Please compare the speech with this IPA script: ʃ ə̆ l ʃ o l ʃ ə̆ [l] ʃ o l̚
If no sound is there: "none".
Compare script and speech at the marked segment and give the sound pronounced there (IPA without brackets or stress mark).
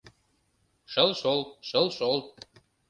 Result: l